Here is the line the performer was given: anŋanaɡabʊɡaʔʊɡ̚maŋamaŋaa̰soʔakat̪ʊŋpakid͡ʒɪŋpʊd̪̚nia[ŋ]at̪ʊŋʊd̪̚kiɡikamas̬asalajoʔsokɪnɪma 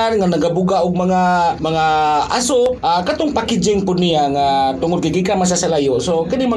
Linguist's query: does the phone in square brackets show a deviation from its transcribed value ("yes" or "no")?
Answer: no